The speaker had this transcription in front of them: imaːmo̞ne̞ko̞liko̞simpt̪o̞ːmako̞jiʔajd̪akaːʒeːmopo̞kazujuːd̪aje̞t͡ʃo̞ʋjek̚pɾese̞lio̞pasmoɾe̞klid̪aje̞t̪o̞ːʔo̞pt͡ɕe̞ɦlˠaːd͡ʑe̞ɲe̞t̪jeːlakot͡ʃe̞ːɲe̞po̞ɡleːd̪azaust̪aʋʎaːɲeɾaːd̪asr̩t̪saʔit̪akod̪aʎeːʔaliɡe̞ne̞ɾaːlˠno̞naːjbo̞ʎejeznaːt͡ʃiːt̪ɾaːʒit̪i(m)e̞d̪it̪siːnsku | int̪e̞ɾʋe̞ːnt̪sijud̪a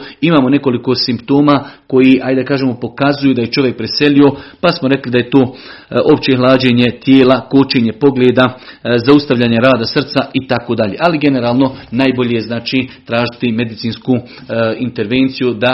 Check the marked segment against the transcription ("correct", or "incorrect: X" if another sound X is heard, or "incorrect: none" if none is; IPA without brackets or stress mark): correct